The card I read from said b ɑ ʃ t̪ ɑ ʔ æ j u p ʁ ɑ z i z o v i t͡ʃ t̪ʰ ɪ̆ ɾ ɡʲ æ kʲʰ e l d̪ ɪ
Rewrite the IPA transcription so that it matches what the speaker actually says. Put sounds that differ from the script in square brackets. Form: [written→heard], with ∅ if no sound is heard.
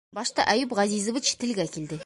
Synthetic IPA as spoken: b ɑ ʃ t̪ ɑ ʔ æ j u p ʁ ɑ z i z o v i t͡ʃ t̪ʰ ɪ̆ [ɾ→l] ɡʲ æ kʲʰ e l d̪ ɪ